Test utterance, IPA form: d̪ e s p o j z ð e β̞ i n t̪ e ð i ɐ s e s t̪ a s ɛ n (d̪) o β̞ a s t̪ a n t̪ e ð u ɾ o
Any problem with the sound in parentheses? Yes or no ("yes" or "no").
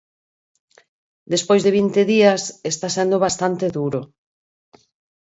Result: no